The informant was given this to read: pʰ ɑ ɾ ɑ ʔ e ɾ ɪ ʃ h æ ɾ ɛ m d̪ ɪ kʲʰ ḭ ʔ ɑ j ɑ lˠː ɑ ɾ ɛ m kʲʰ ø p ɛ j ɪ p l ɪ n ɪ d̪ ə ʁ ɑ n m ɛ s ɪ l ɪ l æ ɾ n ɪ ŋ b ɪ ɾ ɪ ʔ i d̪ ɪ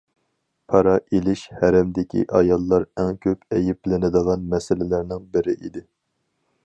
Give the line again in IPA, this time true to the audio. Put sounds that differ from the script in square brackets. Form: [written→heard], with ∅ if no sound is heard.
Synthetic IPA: pʰ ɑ ɾ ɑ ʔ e [ɾ→l] ɪ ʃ h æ ɾ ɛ m d̪ ɪ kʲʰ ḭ ʔ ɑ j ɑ lˠː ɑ ɾ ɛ [m→ŋ] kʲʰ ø p ɛ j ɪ p l ɪ n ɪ d̪ ə ʁ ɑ n m ɛ s ɪ l ɪ l æ ɾ n ɪ ŋ b ɪ ɾ ɪ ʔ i d̪ ɪ

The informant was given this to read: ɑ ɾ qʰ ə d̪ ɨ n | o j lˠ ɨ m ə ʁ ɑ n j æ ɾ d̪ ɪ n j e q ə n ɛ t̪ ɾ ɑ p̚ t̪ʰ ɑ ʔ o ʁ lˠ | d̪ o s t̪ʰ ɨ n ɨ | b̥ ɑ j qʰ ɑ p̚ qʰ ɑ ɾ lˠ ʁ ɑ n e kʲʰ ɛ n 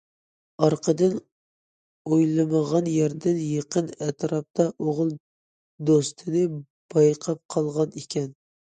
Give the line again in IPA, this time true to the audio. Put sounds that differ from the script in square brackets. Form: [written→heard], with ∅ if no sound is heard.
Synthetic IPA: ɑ ɾ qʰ ə d̪ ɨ n | o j lˠ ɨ m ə ʁ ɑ n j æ ɾ d̪ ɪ n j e q ə n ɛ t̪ ɾ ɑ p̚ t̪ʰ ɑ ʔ o ʁ lˠ | d̪ o s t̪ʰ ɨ n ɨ | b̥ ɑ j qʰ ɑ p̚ qʰ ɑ [ɾ→∅] lˠ ʁ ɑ n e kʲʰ ɛ n

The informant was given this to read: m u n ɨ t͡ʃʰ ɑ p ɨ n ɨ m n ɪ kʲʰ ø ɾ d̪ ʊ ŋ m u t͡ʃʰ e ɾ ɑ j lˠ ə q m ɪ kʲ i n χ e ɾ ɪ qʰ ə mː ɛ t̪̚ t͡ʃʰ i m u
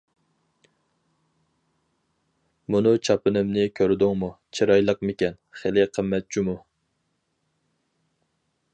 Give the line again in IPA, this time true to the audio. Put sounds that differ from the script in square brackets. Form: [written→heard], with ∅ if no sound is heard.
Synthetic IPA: m u n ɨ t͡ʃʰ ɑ p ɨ n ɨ m n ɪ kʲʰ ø ɾ d̪ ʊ ŋ m u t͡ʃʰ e ɾ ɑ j lˠ ə q m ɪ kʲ [i→ɛ] n χ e [ɾ→l] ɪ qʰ ə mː ɛ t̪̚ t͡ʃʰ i m u

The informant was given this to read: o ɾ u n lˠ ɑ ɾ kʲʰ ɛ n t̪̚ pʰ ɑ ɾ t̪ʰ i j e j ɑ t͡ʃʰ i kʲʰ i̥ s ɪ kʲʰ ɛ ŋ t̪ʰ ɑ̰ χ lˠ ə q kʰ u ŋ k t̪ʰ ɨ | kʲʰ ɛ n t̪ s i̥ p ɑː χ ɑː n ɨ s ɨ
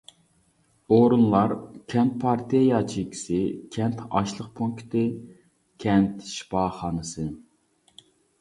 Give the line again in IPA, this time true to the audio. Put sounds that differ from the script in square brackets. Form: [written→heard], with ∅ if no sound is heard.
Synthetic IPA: o ɾ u n lˠ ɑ ɾ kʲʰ ɛ n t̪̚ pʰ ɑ ɾ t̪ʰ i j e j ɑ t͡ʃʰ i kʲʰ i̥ s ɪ kʲʰ ɛ [ŋ→n] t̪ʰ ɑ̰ [χ→ʃ] lˠ ə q [kʰ→pʰ] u ŋ k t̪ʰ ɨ | kʲʰ ɛ n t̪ [s→ʃ] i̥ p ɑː χ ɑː n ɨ s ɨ

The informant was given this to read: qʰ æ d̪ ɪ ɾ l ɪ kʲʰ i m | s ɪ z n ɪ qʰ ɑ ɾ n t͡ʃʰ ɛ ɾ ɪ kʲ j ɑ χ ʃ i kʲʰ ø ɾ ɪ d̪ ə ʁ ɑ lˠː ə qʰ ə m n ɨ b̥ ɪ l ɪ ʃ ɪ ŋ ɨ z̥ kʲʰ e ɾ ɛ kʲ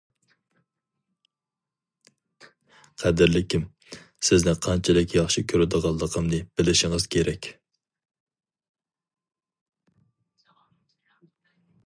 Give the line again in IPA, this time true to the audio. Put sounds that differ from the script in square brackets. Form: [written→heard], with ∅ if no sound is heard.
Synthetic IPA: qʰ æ d̪ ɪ ɾ l ɪ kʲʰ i m | s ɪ z n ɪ qʰ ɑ [ɾ→∅] n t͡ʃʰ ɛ [ɾ→l] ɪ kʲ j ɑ χ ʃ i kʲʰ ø ɾ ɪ d̪ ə ʁ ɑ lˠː ə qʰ ə m n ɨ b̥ ɪ l ɪ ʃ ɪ ŋ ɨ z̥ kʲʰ e ɾ ɛ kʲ

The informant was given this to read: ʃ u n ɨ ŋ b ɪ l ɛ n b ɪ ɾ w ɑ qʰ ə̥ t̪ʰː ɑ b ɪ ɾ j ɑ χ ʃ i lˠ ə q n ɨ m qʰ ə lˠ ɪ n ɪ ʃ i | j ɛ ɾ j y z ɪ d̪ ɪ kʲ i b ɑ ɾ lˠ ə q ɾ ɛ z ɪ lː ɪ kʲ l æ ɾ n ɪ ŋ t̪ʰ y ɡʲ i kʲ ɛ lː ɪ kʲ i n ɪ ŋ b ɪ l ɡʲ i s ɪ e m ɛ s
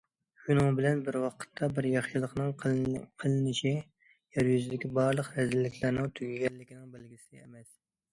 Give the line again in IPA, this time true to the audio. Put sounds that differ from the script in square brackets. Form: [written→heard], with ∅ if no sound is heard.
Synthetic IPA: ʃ u n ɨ ŋ b ɪ l ɛ n b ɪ ɾ w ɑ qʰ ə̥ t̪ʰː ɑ b ɪ ɾ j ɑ χ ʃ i lˠ ə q n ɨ [m→ŋ] qʰ ə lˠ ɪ n ɪ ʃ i | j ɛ ɾ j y z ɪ d̪ ɪ kʲ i b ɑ ɾ lˠ ə q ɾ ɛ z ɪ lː ɪ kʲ l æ ɾ n ɪ ŋ t̪ʰ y ɡʲ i [kʲ→ɡʲ] ɛ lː ɪ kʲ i n ɪ ŋ b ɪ l ɡʲ i s ɪ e m ɛ s

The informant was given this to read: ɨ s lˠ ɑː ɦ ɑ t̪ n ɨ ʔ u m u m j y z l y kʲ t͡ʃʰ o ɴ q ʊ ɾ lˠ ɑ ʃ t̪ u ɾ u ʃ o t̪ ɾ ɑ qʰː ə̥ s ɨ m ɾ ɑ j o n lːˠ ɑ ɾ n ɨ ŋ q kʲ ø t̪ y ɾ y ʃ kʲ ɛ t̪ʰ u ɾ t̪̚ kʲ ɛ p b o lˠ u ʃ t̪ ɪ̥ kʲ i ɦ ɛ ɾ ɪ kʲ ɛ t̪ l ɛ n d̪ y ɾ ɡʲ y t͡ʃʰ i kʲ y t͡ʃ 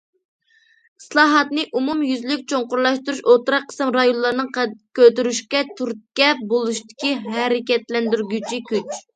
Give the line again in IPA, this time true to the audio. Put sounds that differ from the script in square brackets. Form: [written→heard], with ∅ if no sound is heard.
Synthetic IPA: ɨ s lˠ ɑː ɦ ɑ t̪ n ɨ ʔ u m u m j y z l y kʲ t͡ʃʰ o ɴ q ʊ ɾ lˠ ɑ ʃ t̪ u ɾ u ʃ o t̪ ɾ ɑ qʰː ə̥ s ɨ m ɾ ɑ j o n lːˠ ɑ ɾ n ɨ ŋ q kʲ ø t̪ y ɾ y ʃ kʲ ɛ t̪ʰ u ɾ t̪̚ kʲ ɛ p b o lˠ u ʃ t̪ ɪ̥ kʲ i ɦ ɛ ɾ ɪ kʲ ɛ t̪ l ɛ n d̪ y ɾ ɡʲ y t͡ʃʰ i kʲ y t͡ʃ

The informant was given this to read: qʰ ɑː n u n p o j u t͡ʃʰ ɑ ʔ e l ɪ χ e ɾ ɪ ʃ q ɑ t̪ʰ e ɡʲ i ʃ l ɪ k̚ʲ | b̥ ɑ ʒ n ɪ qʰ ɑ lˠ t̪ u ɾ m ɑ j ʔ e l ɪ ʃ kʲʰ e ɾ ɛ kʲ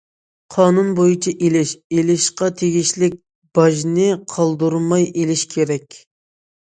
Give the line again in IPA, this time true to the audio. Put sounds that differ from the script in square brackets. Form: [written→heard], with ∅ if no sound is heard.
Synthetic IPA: qʰ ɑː n u n [p→b] o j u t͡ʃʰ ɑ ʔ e l ɪ [χ→ʃ] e [ɾ→l] ɪ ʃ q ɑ t̪ʰ e ɡʲ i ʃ l ɪ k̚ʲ | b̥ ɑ ʒ n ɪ qʰ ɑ lˠ [t̪→d̪] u ɾ m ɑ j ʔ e l ɪ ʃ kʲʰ e ɾ ɛ kʲ

